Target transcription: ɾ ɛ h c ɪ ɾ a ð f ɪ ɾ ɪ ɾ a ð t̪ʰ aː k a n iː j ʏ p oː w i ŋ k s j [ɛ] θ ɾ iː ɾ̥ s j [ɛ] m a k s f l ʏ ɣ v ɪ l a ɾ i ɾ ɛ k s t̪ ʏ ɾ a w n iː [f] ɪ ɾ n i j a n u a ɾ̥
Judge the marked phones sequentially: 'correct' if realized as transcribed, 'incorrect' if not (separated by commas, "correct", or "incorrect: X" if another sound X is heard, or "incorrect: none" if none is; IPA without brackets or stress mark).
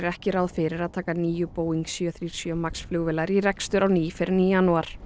incorrect: œ, incorrect: œ, correct